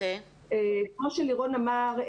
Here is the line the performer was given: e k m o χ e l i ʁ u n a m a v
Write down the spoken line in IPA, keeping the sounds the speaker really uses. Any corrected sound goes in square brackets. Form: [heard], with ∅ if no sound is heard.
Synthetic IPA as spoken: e k m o [ʃ] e l i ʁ [o] n a m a [ʁ]